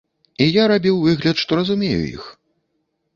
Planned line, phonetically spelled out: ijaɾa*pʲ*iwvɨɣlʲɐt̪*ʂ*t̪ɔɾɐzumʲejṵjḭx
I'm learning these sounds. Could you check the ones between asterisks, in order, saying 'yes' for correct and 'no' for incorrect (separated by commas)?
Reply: no, yes